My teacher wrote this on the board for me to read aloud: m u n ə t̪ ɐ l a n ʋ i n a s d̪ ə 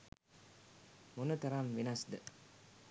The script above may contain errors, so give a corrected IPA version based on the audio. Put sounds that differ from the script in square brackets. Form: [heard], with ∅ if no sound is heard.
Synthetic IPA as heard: m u n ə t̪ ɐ [ɾ] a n ʋ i n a s d̪ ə